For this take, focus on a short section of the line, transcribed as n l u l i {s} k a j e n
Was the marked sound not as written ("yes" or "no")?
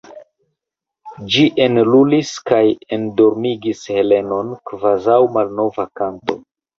no